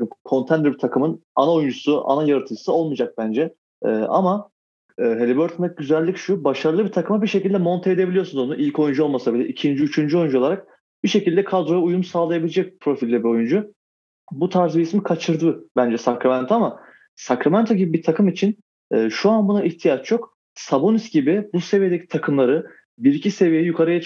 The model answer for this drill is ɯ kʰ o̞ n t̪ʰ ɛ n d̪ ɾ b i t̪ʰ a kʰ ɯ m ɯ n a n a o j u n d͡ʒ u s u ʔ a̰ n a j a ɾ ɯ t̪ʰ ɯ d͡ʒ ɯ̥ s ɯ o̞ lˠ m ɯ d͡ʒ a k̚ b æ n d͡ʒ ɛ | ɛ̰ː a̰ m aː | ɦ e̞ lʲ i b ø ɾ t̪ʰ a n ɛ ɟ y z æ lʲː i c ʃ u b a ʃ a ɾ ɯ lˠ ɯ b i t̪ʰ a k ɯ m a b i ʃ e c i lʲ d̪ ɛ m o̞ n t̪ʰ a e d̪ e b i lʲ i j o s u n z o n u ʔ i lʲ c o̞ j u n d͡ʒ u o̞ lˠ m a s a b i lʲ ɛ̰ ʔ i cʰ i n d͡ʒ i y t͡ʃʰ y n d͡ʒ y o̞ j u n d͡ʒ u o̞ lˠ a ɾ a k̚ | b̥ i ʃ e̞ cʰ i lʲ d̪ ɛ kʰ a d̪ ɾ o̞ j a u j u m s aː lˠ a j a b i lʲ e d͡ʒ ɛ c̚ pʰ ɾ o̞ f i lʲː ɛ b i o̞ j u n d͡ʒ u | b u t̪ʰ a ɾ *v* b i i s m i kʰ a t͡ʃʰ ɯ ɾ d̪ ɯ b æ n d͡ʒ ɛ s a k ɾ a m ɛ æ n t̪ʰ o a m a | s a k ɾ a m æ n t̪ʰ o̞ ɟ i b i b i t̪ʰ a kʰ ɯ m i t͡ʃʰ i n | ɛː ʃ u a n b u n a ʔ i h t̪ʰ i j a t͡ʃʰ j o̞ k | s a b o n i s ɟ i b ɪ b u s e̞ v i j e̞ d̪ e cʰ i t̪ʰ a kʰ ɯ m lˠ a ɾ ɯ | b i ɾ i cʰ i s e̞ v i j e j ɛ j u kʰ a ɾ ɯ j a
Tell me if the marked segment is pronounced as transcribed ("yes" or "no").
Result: no